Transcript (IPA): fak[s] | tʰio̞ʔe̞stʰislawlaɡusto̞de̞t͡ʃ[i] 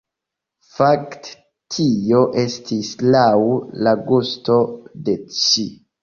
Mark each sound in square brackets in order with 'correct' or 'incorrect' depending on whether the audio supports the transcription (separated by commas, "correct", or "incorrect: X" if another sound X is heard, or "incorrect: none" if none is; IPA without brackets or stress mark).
incorrect: t, correct